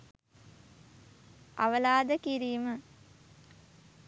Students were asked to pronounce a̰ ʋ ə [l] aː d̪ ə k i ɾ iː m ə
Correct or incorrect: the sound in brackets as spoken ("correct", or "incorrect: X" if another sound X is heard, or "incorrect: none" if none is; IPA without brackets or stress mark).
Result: correct